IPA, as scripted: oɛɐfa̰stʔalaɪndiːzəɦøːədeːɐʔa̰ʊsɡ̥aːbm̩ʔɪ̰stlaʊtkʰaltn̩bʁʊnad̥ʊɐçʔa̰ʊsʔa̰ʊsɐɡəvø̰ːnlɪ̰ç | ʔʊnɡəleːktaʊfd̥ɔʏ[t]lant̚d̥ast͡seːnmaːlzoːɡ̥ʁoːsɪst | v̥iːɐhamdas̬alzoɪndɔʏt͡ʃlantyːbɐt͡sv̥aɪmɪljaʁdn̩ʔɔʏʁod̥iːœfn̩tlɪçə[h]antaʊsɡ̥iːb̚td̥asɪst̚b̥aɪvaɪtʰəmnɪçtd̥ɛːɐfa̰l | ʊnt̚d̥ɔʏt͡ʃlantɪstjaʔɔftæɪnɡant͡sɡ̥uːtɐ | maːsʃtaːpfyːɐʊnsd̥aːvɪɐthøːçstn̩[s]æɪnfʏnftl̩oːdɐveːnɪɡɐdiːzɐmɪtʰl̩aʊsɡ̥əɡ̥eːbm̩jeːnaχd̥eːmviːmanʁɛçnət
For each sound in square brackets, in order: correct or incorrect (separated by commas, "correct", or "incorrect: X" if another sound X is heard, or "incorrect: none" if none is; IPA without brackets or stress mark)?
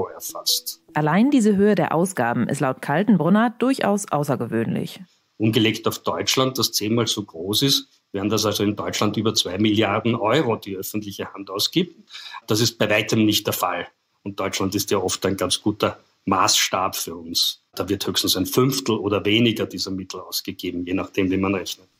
incorrect: t͡ʃ, correct, correct